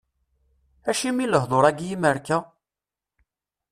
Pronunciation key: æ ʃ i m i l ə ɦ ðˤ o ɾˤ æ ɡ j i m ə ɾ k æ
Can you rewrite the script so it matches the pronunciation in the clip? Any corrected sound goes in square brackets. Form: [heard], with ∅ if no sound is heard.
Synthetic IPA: æ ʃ i m i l ə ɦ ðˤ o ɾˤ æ ɡ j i m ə ɾ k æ